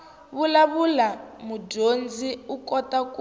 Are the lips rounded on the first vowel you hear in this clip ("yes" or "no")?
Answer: yes